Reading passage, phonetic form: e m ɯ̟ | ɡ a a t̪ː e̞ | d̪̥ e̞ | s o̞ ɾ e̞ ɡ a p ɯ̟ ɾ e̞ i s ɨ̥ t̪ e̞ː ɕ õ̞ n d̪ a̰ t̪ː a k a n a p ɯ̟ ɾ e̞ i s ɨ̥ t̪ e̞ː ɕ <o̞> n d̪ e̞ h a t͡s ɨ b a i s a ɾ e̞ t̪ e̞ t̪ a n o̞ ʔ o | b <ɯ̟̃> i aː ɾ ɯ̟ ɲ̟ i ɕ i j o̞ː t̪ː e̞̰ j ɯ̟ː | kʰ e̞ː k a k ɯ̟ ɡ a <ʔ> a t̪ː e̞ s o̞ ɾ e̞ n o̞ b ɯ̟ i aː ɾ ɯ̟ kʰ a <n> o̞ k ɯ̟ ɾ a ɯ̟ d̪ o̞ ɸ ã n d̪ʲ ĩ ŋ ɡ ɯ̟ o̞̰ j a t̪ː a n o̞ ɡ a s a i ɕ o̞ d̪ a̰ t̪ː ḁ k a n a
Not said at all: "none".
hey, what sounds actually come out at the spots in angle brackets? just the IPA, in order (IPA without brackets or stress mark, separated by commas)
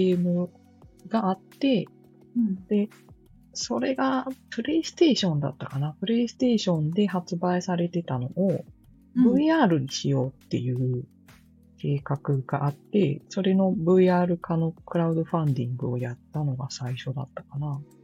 õ̞, ɯ̟, ʔ, n